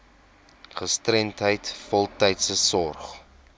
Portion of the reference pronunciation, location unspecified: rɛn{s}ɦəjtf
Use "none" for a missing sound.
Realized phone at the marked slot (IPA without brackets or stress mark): t